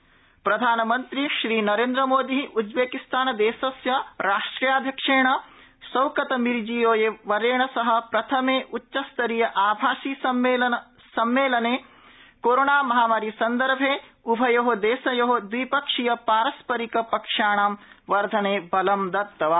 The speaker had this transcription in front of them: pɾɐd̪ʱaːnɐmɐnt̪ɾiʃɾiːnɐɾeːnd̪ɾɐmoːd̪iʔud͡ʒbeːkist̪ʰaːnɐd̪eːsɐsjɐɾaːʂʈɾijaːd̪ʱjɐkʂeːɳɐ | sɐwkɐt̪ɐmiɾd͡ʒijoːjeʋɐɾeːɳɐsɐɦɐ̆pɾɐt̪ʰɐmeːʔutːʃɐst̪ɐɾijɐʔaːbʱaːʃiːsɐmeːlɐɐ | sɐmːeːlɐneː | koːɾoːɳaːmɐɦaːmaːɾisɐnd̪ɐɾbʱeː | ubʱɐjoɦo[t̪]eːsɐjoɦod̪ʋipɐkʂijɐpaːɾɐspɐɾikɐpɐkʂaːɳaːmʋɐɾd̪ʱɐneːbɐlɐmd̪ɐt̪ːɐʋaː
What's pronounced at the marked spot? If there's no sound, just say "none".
d̪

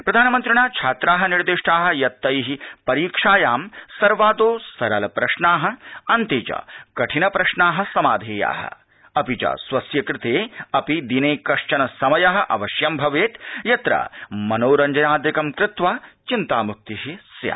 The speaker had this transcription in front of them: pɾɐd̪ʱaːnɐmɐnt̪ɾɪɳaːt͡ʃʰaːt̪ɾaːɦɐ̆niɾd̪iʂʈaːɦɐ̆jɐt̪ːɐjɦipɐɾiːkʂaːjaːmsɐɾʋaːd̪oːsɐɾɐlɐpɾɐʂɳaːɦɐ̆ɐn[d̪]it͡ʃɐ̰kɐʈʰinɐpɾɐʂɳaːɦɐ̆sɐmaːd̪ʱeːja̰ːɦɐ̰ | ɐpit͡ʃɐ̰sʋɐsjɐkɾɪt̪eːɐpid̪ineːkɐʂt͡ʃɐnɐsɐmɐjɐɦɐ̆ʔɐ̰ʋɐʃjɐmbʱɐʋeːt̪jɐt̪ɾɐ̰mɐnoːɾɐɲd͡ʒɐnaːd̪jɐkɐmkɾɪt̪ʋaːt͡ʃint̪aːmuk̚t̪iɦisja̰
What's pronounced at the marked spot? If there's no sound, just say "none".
t̪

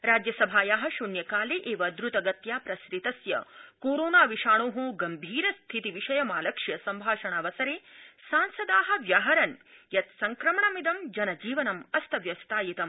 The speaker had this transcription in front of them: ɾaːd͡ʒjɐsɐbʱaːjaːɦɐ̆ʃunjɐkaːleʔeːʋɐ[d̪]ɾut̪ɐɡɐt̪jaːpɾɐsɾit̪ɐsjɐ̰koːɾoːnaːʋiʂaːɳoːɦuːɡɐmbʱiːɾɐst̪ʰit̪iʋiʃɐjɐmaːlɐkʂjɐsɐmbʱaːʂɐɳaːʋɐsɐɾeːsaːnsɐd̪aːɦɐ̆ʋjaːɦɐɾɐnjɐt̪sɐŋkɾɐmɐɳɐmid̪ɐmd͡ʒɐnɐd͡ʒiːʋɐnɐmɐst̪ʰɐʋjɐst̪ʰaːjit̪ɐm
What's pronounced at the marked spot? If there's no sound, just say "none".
d̪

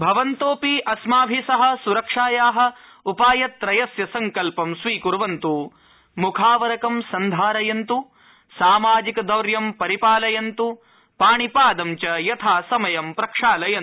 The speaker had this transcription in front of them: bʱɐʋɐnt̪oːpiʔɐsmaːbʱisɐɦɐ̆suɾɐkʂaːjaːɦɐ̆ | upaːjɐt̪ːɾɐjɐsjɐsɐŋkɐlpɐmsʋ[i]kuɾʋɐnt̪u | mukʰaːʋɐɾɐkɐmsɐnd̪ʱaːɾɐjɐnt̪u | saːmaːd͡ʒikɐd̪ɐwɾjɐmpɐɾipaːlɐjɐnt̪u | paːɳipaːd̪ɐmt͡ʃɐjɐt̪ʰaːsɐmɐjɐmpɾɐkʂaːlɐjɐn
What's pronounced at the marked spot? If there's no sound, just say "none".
iː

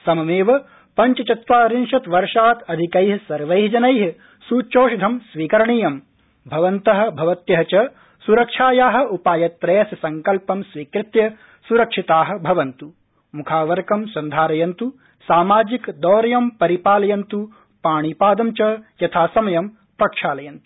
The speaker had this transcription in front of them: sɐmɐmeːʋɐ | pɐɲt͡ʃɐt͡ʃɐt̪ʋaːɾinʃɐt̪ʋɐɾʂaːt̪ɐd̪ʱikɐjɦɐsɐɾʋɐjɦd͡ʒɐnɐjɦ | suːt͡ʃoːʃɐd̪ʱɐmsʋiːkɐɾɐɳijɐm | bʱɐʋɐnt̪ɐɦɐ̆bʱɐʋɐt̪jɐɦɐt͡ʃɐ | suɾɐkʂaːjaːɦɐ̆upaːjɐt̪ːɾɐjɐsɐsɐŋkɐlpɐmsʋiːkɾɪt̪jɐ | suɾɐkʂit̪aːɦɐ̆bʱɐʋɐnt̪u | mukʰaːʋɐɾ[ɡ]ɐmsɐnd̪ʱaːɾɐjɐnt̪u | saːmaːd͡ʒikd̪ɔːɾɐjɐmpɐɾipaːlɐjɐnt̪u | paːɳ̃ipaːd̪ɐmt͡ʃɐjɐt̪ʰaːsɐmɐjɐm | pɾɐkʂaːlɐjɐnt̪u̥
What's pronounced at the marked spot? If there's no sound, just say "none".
k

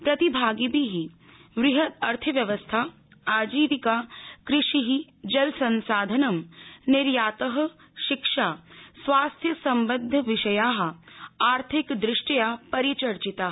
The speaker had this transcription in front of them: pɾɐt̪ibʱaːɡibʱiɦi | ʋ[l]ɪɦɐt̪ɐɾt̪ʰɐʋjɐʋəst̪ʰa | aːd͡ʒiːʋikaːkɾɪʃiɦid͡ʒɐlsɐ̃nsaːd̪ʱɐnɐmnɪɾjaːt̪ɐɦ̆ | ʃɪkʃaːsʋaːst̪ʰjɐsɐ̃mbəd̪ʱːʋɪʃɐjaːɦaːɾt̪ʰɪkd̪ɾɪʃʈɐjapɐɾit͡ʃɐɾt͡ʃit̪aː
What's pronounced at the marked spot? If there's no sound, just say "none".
ɾ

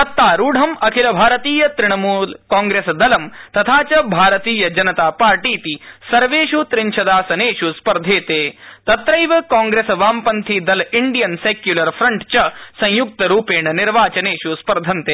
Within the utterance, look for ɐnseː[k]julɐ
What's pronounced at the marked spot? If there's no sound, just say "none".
k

